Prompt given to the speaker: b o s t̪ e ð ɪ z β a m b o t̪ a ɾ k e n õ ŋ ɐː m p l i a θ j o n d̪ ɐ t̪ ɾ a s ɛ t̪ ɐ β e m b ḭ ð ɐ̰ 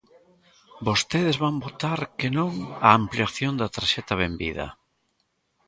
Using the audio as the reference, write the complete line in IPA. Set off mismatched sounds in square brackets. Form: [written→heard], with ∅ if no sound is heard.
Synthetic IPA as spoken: b o s t̪ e ð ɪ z β a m b o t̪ a ɾ k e n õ ŋ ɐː m p l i a θ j o n d̪ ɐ t̪ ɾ a [s→ʃ] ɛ t̪ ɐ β e m b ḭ ð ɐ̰